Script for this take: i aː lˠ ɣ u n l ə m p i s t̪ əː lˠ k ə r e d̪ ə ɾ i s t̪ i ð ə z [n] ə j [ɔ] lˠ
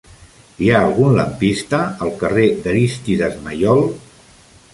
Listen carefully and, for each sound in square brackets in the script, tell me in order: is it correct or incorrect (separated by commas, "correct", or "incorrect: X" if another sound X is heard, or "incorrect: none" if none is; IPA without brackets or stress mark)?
incorrect: m, correct